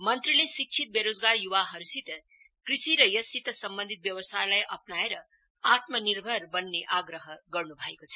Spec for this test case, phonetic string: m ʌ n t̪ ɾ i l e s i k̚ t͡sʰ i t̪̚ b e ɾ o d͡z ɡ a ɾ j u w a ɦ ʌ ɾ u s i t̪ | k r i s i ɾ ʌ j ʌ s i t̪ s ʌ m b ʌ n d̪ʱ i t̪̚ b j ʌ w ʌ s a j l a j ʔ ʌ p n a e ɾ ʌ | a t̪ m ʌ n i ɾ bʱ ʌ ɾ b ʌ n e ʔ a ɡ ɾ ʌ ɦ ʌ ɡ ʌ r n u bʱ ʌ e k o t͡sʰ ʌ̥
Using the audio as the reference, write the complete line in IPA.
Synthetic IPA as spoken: m ʌ n t̪ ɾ i l e s i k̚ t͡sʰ i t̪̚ b e ɾ o d͡z ɡ a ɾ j u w a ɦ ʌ ɾ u s i t̪ | k r i s i ɾ ʌ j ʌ s i t̪ s ʌ m b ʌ n d̪ʱ i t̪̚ b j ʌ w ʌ s a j l a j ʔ ʌ p n a e ɾ ʌ | a t̪ m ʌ n i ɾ bʱ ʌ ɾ b ʌ nː e ʔ a ɡ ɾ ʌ ɦ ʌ ɡ ʌ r n u bʱ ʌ e k o t͡sʰ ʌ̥

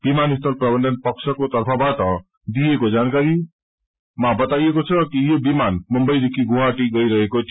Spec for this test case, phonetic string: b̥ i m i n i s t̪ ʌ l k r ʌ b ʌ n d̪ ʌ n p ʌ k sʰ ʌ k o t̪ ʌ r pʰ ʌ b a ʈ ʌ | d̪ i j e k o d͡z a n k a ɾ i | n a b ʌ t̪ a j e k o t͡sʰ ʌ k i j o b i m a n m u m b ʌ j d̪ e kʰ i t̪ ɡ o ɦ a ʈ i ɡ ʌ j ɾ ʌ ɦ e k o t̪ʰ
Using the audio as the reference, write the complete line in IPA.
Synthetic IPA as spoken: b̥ i m a n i s t̪ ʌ l p r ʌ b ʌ n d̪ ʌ n p ʌ k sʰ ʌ k o t̪ ʌ r pʰ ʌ b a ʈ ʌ | d̪ i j e k o d͡z a n k a ɾ i | m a b ʌ t̪ a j e k o t͡sʰ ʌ k i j o b i m a n m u m b ʌ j d̪ e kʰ i ɡ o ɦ a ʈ i ɡ ʌ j ɾ ʌ ɦ e k o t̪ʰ

